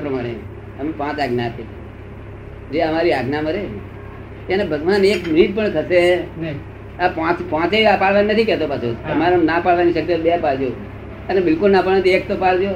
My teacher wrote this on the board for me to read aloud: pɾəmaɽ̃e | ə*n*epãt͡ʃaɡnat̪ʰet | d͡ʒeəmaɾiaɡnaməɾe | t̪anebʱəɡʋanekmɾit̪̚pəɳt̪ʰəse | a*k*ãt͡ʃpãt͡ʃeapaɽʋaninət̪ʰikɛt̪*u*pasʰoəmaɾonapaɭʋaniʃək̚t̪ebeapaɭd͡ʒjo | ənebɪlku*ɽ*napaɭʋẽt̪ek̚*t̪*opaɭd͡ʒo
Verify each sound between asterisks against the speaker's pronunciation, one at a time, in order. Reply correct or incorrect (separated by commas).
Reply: incorrect, incorrect, incorrect, incorrect, correct